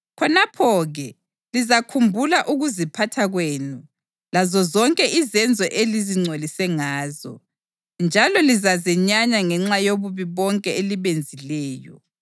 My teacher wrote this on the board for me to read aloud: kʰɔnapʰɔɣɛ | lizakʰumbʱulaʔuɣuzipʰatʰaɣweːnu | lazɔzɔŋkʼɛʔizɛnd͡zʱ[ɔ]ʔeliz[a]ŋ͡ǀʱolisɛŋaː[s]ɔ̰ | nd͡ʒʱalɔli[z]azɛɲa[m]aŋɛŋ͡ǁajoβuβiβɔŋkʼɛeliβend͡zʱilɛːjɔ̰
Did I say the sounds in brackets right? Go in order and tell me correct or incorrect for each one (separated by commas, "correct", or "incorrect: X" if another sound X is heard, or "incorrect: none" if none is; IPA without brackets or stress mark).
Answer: correct, incorrect: i, incorrect: z, correct, incorrect: ɲ